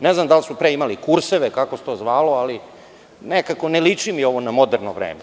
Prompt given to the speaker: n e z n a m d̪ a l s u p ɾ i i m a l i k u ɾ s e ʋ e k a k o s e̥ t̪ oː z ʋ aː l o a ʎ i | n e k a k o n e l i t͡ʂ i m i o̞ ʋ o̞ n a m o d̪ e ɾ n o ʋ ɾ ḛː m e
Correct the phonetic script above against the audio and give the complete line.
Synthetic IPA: n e z n a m d̪ a l s u p ɾ e i m a l i k u ɾ s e ʋ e k a k o s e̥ t̪ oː z ʋ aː l o a l i | n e k a k o n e l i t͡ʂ i m i o̞ ʋ o̞ n a m o d̪ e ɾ n o ʋ ɾ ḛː m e

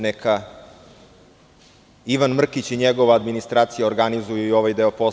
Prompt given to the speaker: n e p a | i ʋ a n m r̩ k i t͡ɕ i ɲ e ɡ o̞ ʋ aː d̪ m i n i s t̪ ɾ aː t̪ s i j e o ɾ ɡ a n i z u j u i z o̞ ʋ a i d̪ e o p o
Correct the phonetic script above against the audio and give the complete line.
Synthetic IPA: n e k a | i ʋ a n m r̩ k i t͡ɕ i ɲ e ɡ o̞ ʋ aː d̪ m i n i s t̪ ɾ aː t̪ s i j a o ɾ ɡ a n i z u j u i o̞ ʋ a j d̪ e o p o

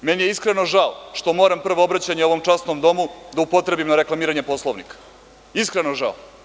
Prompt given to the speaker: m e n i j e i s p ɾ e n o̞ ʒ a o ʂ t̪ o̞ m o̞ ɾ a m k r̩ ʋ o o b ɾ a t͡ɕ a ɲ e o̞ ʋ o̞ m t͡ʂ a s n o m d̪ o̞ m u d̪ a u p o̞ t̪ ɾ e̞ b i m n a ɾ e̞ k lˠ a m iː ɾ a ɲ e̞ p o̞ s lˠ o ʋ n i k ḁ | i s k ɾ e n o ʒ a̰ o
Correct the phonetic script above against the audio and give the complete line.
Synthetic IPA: m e n i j e i s k ɾ e n o̞ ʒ a o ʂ t̪ o̞ m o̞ ɾ a m p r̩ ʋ o o b ɾ a t͡ɕ a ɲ e o̞ ʋ o̞ m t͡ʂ a s n o m d̪ o̞ m u d̪ a u p o̞ t̪ ɾ e̞ b i m n a ɾ e̞ k lˠ a m iː ɾ a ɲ e̞ p o̞ s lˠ o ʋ n i k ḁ | i s k ɾ e n o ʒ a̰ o

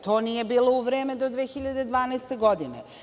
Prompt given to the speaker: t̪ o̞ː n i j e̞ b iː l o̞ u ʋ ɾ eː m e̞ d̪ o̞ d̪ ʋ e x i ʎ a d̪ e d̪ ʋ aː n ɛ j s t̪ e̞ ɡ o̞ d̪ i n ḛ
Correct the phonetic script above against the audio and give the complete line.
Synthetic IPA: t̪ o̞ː n i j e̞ b iː l o̞ u ʋ ɾ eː m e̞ d̪ o̞ d̪ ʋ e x i ʎ a d̪ e d̪ ʋ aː n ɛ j s t̪ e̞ ɡ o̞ d̪ i n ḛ

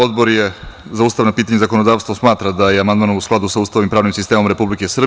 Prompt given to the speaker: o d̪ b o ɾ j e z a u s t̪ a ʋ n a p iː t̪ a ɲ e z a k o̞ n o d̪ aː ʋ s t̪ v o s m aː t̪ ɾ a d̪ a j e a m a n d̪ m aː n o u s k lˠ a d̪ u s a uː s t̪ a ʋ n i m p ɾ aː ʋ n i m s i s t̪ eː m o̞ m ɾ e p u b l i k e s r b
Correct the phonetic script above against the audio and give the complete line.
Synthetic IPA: o d̪ b o ɾ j e z a u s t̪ a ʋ n a p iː t̪ a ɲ e z a k o̞ n o d̪ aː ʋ s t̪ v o s m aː t̪ ɾ a d̪ a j e a m a n d̪ m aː n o u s k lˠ a d̪ u s a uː s t̪ a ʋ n i m p ɾ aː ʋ n i m s i s t̪ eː m o̞ m ɾ e p u b l i k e s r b

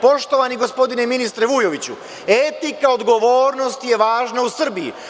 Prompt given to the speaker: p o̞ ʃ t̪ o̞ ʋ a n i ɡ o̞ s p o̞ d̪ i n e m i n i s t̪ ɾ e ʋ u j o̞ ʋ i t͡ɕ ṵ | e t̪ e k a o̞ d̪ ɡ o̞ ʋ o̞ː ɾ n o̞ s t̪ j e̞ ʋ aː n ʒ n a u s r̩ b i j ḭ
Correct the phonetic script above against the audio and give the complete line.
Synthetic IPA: p o̞ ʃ t̪ o̞ ʋ a n i ɡ o̞ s p o̞ d̪ i n e m i n i s t̪ ɾ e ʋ u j o̞ ʋ i t͡ɕ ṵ | e t̪ i k a o̞ d̪ ɡ o̞ ʋ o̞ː ɾ n o̞ s t̪ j e̞ ʋ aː ʒ n a u s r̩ b i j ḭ

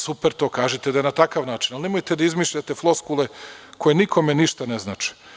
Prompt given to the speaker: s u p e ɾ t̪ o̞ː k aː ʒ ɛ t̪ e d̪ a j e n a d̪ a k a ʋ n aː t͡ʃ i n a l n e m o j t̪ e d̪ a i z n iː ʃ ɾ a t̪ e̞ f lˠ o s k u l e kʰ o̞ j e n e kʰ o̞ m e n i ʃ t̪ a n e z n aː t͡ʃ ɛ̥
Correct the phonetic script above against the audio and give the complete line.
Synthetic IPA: s u p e ɾ t̪ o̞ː k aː ʒ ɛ t̪ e d̪ a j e n a t̪ a k a ʋ n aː t͡ʃ i n a l n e m o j t̪ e d̪ a i z m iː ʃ ʎ a t̪ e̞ f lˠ o s k u l e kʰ o̞ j e n i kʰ o̞ m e n i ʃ t̪ a n e z n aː t͡ʃ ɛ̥

